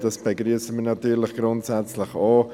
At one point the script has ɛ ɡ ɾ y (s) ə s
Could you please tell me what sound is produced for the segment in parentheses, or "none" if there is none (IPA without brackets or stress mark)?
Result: none